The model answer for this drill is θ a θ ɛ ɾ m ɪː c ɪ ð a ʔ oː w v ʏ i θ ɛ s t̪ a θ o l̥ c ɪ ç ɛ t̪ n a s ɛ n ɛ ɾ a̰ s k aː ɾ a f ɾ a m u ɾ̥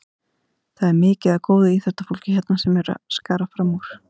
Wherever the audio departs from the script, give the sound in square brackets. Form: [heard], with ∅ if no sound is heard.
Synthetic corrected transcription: θ a [ð] ɛ ɾ m ɪː c ɪ ð a [k] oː w [ð] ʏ i θ ɛ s t̪ a [f] o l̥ c ɪ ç ɛ t̪ n a s ɛ [m] ɛ ɾ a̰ s k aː ɾ a f ɾ a m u ɾ̥